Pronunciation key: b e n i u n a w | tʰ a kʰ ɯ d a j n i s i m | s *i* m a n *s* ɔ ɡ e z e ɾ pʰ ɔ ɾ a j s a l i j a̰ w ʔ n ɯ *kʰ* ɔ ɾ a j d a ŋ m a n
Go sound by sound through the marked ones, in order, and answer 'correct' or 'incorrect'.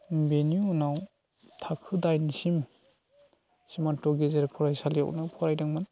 correct, incorrect, incorrect

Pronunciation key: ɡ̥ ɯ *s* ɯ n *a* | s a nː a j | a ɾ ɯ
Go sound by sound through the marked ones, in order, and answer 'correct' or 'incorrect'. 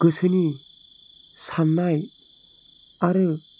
correct, incorrect

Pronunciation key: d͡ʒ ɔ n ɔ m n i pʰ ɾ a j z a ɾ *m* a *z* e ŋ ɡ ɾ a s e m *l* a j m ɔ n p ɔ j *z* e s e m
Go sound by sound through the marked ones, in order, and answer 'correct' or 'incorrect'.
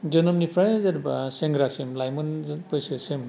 incorrect, incorrect, correct, incorrect

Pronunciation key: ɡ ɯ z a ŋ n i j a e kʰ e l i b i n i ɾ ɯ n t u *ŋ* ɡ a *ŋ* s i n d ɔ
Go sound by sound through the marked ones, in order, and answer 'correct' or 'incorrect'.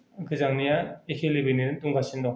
correct, incorrect

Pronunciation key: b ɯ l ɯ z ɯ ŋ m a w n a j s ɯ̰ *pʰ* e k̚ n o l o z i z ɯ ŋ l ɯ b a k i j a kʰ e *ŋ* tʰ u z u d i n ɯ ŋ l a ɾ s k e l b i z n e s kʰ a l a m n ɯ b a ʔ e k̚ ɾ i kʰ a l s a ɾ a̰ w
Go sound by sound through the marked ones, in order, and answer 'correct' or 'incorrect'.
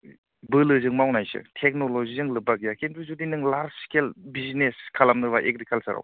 incorrect, incorrect

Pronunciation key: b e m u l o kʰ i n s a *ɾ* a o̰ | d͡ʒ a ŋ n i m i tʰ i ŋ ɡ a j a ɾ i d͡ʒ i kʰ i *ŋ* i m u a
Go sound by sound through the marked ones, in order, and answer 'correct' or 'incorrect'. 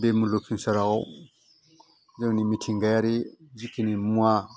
correct, incorrect

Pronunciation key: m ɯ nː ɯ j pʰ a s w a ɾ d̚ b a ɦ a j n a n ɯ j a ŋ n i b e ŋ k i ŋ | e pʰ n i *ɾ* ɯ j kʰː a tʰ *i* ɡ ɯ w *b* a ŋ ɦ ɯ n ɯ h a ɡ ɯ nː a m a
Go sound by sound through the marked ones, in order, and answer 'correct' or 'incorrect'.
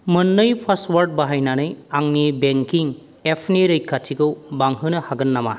correct, correct, correct

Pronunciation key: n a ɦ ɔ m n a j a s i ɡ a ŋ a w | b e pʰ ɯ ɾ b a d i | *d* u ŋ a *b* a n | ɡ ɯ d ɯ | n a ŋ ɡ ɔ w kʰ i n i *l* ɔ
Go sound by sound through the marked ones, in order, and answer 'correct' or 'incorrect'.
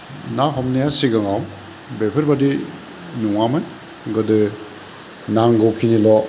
incorrect, incorrect, correct

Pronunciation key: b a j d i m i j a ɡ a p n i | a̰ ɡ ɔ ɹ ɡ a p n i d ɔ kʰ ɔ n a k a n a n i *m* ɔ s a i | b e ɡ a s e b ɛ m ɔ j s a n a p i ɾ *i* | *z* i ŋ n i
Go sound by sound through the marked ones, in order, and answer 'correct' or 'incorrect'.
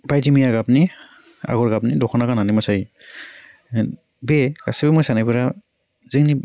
correct, incorrect, correct

